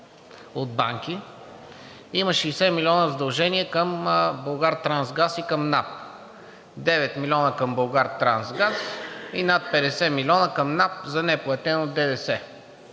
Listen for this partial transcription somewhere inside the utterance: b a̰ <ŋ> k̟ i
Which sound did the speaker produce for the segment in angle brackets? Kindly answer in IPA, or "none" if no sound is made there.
ŋ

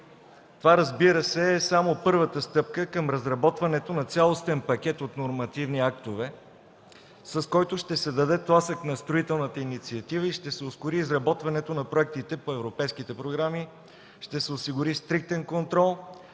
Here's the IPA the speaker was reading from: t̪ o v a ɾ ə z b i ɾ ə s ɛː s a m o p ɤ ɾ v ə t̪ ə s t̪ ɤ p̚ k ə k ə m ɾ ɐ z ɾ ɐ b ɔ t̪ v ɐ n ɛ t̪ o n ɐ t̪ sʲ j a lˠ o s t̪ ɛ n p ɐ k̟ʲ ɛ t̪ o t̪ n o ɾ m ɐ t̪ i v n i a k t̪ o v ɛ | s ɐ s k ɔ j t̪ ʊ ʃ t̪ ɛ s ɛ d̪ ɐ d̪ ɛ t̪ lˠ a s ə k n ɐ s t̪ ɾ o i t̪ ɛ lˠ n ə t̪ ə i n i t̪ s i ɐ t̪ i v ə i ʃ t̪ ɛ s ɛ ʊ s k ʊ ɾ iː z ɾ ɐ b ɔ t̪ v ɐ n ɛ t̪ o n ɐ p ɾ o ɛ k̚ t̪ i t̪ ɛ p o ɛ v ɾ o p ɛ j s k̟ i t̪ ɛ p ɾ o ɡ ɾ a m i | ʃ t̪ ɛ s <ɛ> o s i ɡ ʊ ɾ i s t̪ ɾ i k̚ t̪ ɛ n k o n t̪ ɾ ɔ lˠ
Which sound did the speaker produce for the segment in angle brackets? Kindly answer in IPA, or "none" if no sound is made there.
ɛ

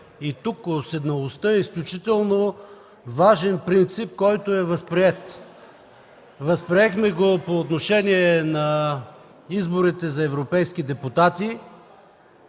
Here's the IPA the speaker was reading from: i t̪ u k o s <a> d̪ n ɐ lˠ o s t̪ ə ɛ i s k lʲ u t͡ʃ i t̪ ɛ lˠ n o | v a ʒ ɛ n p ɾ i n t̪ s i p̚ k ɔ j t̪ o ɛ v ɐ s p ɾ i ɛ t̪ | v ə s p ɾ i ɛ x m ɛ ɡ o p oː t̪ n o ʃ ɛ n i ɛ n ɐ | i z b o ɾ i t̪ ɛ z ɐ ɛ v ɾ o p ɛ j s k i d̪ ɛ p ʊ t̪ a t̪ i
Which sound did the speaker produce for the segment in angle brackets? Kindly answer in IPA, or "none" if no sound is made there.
ɛ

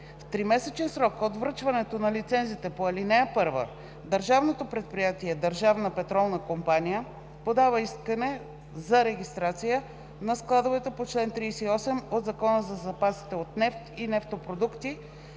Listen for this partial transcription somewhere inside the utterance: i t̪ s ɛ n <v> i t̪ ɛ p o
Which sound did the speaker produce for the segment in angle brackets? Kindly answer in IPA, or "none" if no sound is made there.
z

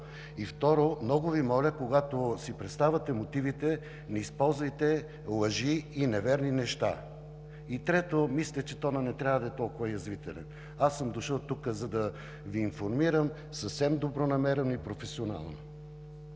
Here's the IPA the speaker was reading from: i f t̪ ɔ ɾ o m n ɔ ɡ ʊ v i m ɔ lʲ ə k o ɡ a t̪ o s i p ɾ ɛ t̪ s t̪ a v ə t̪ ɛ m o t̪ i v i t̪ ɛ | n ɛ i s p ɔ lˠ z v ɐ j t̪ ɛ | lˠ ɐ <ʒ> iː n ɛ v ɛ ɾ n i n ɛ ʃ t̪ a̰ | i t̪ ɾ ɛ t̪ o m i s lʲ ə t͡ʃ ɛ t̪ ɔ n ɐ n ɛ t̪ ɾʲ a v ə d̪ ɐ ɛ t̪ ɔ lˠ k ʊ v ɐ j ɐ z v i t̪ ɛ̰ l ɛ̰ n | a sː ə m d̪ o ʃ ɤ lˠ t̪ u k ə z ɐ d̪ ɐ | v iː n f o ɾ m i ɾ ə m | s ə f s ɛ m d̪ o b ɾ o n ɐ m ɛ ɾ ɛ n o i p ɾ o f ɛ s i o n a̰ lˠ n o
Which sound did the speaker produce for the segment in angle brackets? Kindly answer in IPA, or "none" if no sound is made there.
ʒ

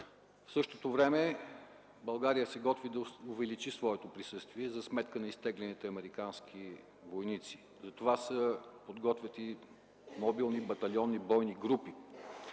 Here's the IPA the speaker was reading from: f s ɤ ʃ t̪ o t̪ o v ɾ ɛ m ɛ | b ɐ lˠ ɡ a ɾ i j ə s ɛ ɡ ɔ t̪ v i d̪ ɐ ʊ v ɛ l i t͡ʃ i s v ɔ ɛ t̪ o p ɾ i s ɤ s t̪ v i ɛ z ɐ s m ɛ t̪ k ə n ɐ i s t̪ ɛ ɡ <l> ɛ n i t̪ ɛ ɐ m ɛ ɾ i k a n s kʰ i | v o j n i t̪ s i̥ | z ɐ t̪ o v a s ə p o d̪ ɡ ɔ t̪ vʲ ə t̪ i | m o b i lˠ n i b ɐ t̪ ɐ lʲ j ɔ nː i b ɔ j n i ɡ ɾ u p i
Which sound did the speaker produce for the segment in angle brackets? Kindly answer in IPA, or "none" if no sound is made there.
l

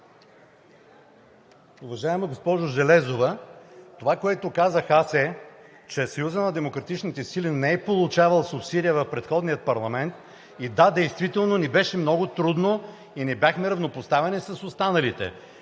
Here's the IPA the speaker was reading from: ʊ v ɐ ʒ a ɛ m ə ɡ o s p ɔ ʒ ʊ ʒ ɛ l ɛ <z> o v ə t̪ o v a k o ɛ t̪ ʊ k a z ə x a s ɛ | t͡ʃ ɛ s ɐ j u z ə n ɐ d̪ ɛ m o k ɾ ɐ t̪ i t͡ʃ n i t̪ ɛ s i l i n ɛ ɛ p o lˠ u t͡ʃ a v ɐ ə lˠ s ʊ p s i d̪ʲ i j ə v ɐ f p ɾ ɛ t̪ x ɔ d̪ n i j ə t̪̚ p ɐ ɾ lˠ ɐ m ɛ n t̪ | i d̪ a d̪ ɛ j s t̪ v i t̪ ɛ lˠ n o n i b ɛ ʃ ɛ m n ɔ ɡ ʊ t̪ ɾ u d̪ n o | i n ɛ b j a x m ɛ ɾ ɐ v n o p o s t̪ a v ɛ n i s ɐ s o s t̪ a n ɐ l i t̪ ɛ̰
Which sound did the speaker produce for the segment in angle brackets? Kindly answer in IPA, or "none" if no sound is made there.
z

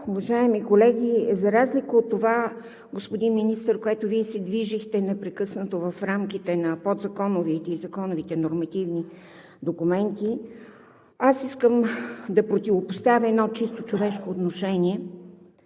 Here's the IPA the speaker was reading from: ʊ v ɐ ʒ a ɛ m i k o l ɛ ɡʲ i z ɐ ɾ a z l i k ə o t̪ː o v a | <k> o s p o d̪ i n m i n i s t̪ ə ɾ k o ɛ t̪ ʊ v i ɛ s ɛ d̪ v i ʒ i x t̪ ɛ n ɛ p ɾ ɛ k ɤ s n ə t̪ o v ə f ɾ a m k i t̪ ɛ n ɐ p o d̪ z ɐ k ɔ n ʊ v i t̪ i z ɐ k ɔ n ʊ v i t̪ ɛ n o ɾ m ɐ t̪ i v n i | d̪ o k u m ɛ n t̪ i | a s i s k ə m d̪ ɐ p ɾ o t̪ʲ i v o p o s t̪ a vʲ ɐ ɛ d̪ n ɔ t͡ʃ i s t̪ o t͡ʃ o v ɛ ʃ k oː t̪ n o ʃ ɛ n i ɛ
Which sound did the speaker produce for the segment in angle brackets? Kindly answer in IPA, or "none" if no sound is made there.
ɡ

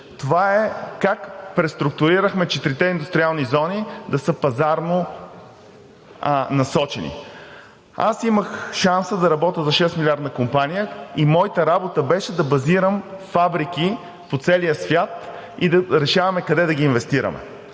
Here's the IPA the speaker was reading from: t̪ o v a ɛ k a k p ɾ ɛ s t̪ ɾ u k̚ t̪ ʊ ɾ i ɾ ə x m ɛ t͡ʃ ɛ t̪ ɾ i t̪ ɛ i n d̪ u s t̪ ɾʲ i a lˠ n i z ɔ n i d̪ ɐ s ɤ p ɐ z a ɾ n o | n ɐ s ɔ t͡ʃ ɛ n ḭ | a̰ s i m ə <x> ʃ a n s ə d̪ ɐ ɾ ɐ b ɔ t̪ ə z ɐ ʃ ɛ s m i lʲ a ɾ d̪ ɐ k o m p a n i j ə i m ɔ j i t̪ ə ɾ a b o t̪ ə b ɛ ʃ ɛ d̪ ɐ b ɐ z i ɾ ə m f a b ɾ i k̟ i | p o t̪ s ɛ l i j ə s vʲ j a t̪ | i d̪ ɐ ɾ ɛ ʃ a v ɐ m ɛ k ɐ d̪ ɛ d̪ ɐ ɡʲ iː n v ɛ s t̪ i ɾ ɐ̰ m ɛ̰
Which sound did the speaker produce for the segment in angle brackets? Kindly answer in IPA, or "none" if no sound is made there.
x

